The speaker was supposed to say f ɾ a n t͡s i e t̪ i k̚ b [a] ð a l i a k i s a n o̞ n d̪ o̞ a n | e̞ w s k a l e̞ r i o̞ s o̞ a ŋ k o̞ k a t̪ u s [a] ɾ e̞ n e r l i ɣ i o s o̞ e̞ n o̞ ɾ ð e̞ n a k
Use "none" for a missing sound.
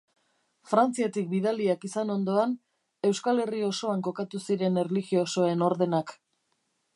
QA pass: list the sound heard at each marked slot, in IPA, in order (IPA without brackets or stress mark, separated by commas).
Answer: i, i